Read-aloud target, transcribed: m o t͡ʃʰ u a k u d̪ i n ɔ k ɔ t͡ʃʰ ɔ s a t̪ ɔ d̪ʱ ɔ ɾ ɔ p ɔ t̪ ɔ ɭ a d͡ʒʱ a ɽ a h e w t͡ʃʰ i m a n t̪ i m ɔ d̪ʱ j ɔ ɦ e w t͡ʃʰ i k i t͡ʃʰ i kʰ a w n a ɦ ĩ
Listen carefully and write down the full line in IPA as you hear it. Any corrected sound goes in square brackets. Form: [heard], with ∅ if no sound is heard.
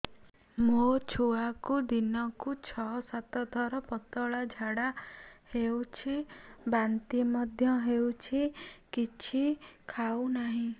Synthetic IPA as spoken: m o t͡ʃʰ u a k u d̪ i n ɔ k [u] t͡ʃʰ ɔ s a t̪ ɔ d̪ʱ ɔ ɾ ɔ p ɔ t̪ ɔ ɭ a d͡ʒʱ a ɽ a h e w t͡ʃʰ i [b] a n t̪ i m ɔ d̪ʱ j ɔ ɦ e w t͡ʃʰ i k i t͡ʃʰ i kʰ a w n a ɦ ĩ